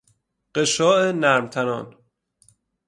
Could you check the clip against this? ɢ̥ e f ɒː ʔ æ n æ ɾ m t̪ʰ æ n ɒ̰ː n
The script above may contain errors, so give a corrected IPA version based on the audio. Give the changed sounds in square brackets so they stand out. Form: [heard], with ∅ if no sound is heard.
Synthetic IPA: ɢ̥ e [ʃ] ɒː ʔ [e] n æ ɾ m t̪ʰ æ n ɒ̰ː n